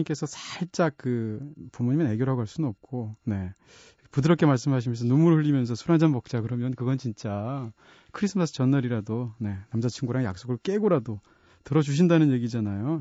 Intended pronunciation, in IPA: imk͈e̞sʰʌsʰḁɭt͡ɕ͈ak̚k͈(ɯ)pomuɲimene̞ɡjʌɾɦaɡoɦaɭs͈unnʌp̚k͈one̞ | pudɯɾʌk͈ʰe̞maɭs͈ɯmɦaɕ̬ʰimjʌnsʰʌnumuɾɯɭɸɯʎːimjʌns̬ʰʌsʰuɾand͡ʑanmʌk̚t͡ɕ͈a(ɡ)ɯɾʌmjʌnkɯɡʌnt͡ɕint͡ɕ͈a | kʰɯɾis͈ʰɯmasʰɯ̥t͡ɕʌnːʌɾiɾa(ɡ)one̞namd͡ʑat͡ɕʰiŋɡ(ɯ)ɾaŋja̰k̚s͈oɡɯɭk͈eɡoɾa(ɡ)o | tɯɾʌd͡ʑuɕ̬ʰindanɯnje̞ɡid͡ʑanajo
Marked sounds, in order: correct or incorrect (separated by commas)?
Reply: correct, incorrect, incorrect, incorrect, incorrect